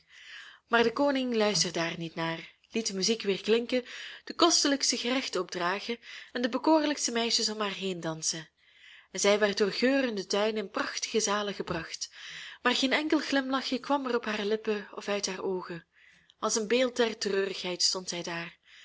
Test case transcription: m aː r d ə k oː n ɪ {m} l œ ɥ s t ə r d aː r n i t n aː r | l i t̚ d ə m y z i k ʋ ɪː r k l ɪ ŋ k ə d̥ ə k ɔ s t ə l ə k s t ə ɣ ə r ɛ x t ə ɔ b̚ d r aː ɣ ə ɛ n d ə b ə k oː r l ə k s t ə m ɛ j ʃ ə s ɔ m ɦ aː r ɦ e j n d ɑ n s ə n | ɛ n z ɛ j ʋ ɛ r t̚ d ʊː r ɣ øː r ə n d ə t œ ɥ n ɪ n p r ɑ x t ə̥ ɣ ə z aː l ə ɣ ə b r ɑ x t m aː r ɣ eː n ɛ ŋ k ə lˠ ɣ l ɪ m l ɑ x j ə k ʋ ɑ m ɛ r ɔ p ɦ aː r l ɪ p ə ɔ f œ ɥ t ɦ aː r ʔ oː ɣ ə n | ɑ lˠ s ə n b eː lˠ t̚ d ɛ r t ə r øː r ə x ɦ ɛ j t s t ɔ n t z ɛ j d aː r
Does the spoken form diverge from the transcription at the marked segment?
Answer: yes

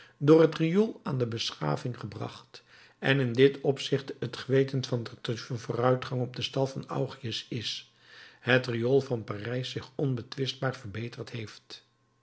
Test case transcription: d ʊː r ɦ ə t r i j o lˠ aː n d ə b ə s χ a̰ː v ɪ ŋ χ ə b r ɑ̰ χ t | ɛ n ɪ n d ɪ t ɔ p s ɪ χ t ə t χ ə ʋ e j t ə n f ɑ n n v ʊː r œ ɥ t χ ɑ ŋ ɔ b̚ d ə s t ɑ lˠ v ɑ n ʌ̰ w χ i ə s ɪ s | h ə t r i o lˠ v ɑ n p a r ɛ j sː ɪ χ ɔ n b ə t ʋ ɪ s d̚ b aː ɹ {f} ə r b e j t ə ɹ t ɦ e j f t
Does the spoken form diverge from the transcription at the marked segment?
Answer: yes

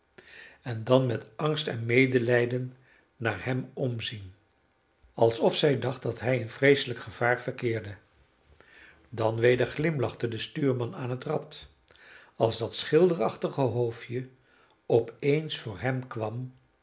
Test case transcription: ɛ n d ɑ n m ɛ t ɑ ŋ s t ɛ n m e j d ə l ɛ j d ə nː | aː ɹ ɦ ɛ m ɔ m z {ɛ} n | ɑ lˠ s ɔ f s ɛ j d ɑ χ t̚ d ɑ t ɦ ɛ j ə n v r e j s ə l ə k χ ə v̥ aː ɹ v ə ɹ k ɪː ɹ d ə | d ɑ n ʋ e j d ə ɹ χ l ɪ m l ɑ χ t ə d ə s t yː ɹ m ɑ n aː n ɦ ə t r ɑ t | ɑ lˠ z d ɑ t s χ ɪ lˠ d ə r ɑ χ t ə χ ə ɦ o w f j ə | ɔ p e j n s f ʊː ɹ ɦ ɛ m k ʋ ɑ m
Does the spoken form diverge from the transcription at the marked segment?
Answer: yes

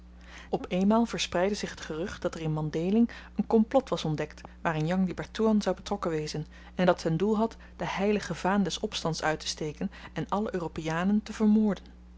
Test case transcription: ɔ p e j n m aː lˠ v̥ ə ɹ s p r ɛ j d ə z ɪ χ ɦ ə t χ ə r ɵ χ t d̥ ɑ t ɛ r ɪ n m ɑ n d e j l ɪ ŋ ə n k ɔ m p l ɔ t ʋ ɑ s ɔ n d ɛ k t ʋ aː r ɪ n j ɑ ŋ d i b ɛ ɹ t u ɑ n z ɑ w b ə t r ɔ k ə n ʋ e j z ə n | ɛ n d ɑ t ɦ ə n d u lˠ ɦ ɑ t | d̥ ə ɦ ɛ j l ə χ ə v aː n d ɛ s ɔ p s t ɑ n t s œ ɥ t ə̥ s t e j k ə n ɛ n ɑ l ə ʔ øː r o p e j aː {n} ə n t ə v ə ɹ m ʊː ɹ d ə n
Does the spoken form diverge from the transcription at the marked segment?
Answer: no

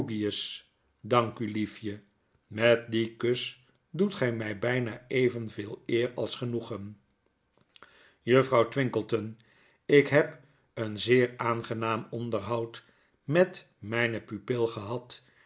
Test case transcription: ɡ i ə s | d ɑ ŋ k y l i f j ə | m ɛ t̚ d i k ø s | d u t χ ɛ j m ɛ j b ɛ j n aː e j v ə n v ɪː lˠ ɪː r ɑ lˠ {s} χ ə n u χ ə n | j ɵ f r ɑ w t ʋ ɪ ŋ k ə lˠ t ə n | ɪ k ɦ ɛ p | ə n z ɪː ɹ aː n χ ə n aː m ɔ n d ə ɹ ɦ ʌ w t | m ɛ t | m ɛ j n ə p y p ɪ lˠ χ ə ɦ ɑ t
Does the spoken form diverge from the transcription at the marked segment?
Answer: no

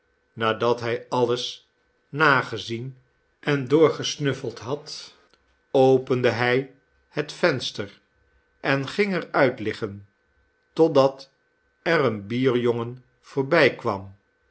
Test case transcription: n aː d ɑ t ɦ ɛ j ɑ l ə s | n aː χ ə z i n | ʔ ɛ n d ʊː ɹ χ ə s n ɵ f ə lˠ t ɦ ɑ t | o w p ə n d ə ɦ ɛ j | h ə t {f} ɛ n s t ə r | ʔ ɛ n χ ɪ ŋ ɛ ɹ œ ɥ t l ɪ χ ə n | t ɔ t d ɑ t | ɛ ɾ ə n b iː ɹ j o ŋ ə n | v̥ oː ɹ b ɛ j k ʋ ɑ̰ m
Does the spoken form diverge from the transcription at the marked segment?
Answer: no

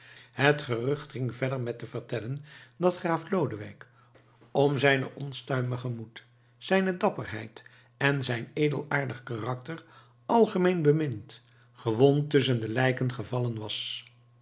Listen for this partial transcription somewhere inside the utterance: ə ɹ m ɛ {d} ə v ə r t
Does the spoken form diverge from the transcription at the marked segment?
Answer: yes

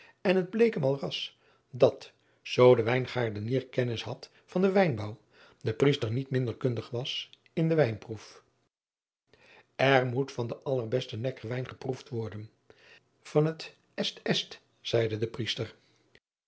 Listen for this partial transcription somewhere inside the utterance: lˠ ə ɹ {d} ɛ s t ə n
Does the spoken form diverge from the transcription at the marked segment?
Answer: yes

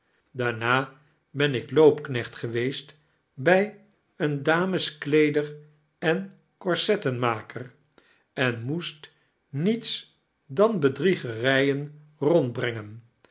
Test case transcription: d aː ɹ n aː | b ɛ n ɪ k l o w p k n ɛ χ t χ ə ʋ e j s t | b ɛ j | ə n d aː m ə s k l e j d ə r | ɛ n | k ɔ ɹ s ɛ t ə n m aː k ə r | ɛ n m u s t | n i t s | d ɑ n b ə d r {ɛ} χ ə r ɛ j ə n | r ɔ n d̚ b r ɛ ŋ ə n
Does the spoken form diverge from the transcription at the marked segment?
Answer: yes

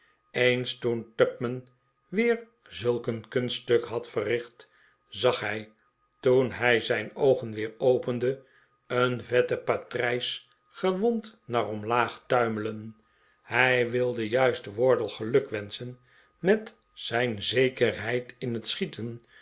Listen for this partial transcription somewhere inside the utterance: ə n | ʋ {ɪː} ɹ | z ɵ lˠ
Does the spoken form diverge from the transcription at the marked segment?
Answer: no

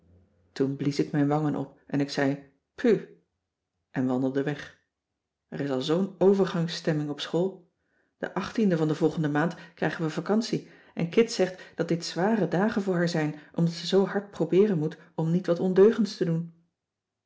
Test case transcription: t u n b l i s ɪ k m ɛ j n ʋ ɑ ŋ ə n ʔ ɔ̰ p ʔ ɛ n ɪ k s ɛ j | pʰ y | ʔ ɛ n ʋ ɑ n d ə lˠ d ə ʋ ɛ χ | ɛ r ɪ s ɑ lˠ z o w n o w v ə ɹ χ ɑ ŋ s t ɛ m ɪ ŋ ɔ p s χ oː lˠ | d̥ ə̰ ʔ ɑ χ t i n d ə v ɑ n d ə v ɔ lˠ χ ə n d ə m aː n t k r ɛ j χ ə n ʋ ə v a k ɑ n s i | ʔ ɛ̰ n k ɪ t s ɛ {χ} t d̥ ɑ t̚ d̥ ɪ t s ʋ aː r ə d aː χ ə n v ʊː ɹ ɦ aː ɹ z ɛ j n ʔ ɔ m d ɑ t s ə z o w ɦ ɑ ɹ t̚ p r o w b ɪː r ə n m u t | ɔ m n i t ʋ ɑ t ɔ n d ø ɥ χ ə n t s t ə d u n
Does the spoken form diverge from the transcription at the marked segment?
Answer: no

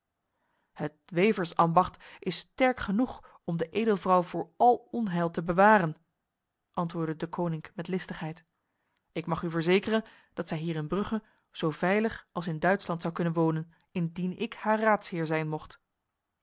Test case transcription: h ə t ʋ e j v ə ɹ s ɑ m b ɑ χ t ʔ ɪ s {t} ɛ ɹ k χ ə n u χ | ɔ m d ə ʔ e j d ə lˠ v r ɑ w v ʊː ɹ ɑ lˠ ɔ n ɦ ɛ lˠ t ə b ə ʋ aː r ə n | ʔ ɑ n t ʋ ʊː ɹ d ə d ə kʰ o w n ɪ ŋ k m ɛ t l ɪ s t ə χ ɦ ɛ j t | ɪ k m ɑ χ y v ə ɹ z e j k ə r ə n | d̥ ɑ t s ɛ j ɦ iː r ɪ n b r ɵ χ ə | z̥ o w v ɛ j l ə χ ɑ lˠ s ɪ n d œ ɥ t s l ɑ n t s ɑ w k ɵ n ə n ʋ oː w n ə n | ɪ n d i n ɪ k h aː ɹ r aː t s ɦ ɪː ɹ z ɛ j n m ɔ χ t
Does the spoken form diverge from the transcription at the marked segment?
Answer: no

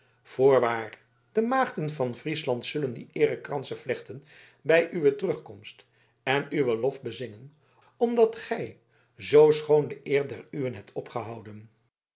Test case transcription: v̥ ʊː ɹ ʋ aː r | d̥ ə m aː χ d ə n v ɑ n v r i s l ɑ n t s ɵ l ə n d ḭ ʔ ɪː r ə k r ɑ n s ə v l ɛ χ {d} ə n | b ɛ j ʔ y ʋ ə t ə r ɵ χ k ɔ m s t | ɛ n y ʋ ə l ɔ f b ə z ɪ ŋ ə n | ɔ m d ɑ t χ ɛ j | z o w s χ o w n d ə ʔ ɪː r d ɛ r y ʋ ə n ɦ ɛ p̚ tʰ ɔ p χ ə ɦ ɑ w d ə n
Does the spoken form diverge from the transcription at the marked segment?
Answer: yes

